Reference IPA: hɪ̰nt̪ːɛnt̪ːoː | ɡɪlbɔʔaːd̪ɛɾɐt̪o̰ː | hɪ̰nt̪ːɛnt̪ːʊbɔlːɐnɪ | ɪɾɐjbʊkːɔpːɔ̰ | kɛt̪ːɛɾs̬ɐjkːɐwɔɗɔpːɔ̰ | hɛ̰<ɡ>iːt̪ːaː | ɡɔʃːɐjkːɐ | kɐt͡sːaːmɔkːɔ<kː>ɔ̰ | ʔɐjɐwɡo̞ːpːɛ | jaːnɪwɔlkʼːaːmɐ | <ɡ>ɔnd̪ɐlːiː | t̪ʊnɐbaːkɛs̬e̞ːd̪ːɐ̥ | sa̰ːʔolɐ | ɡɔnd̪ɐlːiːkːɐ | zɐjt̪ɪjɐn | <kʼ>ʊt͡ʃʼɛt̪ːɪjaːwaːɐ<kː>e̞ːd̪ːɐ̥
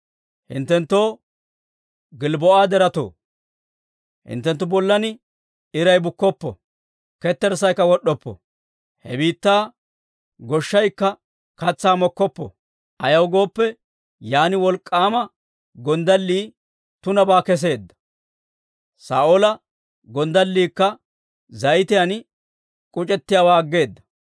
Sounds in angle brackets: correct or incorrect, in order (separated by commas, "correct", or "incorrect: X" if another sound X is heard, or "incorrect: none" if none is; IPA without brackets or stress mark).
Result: incorrect: b, incorrect: pː, correct, correct, incorrect: ɡː